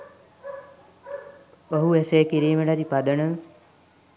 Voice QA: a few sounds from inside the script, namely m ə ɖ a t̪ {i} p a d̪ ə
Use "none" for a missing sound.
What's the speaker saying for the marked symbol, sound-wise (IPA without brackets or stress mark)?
i